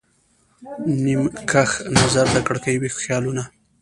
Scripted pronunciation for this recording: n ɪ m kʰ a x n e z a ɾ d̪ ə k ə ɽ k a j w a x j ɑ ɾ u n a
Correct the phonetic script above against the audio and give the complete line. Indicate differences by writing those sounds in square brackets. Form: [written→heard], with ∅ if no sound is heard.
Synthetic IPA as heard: n [ɪ→i] m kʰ a x n [e→a] z a ɾ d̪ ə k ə ɽ k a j w [a→i] x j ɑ [ɾ→l] u n a